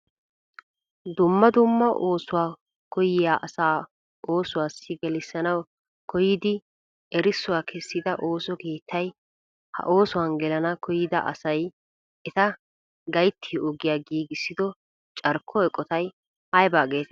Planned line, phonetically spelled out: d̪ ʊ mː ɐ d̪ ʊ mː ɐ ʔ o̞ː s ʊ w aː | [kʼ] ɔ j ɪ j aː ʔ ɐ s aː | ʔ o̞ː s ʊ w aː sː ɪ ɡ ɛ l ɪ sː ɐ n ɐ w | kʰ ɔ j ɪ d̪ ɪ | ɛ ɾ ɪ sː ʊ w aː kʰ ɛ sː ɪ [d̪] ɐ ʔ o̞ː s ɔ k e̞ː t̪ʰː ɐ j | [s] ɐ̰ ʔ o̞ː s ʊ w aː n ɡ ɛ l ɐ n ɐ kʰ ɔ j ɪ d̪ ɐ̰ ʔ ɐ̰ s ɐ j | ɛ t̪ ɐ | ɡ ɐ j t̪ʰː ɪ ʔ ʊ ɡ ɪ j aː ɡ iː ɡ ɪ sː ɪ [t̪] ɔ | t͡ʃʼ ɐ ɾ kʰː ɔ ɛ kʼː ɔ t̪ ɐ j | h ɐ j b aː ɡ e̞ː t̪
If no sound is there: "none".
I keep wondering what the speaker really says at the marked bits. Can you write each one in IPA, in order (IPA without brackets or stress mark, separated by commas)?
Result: k, d̪, h, d̪